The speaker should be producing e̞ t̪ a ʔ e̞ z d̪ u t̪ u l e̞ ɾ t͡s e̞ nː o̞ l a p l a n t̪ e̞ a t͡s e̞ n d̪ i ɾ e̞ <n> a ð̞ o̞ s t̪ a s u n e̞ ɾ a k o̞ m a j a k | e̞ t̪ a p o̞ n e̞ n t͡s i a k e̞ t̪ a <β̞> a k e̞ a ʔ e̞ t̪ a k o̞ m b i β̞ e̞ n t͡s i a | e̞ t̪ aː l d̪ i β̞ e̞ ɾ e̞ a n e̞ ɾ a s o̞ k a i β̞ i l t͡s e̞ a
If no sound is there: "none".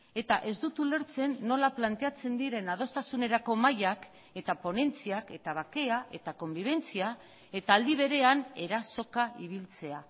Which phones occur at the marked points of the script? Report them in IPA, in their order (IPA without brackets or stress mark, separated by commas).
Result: n, β̞